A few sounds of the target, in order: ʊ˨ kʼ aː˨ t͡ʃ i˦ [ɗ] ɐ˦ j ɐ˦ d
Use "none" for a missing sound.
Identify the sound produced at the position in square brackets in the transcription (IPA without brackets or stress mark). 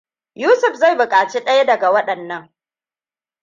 ɗ